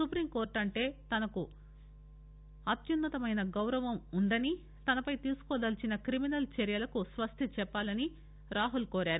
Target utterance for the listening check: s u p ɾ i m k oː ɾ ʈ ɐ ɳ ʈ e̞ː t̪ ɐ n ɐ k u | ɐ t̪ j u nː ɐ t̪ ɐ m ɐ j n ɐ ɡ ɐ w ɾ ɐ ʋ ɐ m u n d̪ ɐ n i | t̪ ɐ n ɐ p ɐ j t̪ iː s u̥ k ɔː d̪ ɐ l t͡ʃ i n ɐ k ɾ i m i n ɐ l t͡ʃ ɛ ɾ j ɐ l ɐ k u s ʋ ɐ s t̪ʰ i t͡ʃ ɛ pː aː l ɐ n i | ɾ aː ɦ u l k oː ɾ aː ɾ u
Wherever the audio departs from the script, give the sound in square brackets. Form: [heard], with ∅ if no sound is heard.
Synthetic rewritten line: s u p ɾ i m k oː ɾ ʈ ɐ ɳ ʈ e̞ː t̪ ɐ n ɐ k u | ɐ t̪ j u nː ɐ t̪ ɐ m ɐ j n ɐ ɡ ɐ w ɾ ɐ ʋ ɐ m u n d̪ ɐ n i | t̪ ɐ n ɐ p ɐ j t̪ iː s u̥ k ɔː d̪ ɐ l t͡ʃ i n ɐ k ɾ i m i n ɐ l t͡ʃ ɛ ɾ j ɐ l ɐ k u s ʋ ɐ s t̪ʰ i t͡ʃ ɛ pː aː l ɐ n i | ɾ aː ɦ u l k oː ɾ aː ɾ u